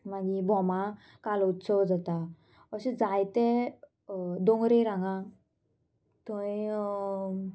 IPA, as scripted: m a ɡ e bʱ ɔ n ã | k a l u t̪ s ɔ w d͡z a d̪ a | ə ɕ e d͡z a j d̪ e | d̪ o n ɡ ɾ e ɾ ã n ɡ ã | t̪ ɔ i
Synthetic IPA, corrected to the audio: m a ɡ i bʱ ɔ m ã | k a l u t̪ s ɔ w d͡z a t̪ a | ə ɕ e d͡z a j t̪ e | d̪ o ŋ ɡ ɾ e ɾ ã ŋ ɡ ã | t̪ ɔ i